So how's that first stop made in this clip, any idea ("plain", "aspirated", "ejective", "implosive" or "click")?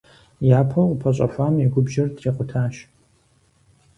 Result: aspirated